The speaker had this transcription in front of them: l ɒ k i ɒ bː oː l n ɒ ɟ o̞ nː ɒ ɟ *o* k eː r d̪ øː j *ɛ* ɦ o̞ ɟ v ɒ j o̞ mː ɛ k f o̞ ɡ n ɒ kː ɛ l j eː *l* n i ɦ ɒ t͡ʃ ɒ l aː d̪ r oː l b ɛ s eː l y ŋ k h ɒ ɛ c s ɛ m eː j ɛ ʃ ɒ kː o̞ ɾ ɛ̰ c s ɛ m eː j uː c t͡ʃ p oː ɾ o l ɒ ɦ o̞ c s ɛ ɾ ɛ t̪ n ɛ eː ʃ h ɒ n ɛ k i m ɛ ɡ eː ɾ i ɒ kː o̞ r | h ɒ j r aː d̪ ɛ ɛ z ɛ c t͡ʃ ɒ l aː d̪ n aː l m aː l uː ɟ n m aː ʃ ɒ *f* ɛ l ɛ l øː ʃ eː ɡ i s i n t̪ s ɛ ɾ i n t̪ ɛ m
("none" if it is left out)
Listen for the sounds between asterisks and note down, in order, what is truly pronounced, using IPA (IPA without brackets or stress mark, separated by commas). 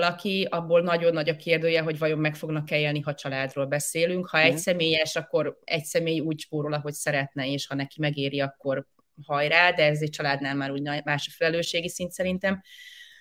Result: ɒ, ɛ, l, f